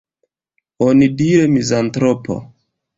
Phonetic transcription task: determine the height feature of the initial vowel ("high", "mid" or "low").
mid